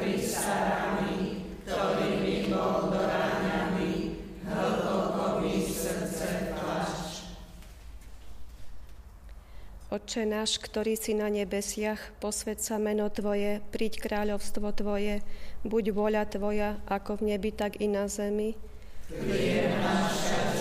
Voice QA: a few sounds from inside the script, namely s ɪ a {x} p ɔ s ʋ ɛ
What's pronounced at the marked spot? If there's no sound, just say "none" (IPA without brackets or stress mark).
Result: x